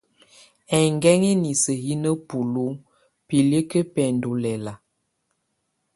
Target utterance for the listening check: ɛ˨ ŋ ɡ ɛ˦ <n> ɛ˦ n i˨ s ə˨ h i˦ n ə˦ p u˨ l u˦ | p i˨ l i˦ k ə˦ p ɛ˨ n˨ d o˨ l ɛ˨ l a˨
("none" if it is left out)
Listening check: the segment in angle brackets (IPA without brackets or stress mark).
ŋ